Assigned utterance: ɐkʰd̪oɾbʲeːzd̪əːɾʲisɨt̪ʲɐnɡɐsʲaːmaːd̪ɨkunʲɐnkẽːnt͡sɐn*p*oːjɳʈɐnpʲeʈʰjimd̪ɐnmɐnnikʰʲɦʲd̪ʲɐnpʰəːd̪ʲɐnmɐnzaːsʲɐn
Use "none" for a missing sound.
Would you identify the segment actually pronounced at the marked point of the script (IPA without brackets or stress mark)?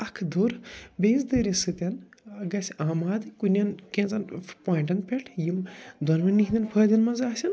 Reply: p